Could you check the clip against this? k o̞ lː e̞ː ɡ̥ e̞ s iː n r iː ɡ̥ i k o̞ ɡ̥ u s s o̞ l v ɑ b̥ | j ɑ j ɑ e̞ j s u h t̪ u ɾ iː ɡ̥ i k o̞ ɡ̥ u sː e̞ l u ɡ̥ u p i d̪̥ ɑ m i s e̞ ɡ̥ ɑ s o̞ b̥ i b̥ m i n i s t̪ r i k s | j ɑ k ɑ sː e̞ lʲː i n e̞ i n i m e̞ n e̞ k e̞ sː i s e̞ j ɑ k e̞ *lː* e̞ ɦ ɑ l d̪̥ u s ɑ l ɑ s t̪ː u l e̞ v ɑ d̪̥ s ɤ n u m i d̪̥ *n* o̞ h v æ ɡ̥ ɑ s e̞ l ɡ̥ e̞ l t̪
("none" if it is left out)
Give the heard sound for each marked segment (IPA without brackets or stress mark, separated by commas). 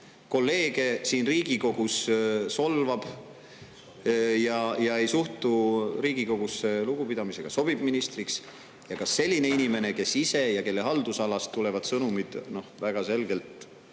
lː, n